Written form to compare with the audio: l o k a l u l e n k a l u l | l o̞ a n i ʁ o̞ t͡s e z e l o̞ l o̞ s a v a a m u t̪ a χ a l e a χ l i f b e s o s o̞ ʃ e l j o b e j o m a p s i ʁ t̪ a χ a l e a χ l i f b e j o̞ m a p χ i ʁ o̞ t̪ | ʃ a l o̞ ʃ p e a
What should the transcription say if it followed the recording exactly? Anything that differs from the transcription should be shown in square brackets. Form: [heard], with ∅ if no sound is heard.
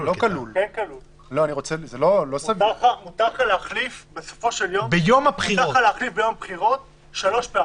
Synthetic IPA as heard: l o k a l u l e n k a l u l | l o̞ a n i ʁ o̞ t͡s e z e l o̞ l o̞ s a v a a m u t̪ a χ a l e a χ l i f b e s o [f] o̞ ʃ e l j o b e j o m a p [χ] i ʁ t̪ a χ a l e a χ l i f b e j o̞ m a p χ i ʁ o̞ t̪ | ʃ a l o̞ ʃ p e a